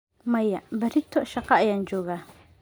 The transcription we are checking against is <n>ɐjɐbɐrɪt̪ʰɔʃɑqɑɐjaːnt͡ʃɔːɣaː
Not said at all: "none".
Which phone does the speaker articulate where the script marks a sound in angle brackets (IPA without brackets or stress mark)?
m